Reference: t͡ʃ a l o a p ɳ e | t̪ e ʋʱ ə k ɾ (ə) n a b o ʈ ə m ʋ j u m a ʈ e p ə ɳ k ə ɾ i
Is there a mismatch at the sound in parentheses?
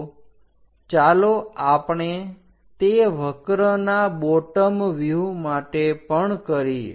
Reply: no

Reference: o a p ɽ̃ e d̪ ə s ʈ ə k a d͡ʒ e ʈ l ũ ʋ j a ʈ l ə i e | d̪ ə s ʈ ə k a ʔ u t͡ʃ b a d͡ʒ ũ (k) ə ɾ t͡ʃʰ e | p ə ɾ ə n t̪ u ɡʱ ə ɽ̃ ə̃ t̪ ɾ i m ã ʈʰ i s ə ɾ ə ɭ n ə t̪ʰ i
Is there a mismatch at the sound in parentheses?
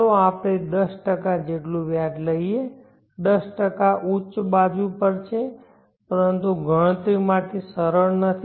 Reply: yes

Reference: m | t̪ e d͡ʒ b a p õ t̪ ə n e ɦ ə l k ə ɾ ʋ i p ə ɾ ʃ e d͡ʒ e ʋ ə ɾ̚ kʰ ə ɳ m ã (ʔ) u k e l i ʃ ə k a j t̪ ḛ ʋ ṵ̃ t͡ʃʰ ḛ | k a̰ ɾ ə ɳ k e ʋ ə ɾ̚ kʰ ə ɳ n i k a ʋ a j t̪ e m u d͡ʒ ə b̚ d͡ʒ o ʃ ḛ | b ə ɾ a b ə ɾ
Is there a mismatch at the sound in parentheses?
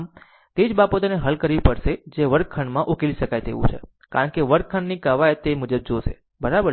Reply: no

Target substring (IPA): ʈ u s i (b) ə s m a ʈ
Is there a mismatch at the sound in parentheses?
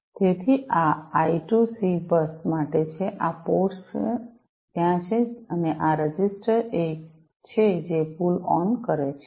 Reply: no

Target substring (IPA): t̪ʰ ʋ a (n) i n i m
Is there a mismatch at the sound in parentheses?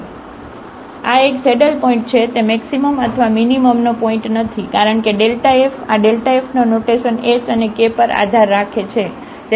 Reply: yes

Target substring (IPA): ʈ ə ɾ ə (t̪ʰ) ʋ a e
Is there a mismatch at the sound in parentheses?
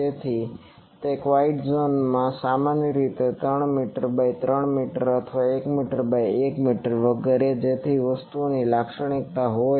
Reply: no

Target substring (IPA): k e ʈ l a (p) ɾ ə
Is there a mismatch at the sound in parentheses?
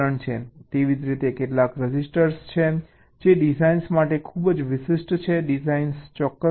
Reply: yes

